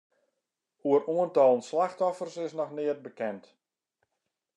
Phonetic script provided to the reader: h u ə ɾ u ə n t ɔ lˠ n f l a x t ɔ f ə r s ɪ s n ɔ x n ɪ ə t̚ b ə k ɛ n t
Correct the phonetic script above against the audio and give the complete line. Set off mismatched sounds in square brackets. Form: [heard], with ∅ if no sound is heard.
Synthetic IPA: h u ə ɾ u ə n t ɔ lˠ n [s] l a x t ɔ f ə r s ɪ s n ɔ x n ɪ ə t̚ b ə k ɛ n t